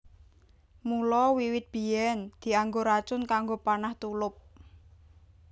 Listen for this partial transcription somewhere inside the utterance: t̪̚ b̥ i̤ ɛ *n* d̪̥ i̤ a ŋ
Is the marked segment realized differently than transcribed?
no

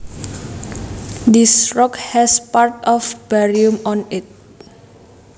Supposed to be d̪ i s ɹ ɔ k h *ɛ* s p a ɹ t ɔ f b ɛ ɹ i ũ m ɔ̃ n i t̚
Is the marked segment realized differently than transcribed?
no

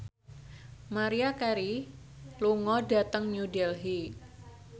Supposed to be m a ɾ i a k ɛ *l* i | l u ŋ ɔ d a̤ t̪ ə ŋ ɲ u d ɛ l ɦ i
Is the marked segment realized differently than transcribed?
yes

